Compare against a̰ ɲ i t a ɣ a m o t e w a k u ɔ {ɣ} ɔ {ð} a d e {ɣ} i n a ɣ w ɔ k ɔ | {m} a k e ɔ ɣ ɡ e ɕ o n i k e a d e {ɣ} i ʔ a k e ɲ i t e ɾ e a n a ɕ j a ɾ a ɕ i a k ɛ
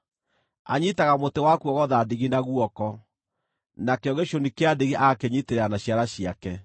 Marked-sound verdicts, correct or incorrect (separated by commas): correct, correct, correct, incorrect, correct